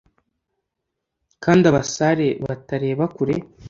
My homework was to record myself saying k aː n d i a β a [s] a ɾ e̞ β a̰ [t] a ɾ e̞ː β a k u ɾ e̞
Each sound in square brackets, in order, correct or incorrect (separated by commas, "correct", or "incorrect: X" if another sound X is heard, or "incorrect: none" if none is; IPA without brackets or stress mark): correct, correct